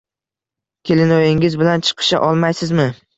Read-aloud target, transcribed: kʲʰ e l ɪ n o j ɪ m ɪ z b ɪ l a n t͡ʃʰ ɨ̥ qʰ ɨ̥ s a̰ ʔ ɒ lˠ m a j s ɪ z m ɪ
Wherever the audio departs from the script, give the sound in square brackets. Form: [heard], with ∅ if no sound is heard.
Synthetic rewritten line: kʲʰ e l ɪ n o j ɪ [ŋ] ɪ z b ɪ l a n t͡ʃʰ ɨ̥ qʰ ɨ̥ [ʃ] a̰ ʔ ɒ lˠ m a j s ɪ z m ɪ